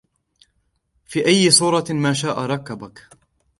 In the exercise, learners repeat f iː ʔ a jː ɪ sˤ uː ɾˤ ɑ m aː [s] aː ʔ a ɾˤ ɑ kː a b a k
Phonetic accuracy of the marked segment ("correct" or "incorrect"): incorrect